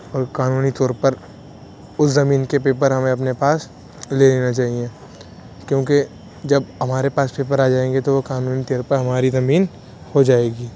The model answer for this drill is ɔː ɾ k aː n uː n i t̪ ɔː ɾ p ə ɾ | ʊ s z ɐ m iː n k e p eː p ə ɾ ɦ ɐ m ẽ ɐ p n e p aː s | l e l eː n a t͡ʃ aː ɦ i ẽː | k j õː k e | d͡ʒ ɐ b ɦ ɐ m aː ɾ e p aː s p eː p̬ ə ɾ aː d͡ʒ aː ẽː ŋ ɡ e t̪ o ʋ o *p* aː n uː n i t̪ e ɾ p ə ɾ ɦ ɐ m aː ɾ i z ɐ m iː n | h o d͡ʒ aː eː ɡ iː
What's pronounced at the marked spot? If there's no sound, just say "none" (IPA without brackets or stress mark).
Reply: k